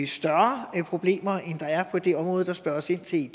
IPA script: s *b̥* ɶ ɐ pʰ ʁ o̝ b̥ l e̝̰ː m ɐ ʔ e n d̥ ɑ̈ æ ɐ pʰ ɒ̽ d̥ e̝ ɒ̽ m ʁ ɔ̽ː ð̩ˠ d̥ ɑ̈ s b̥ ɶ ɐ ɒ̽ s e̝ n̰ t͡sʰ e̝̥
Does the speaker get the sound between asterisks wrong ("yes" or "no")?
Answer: yes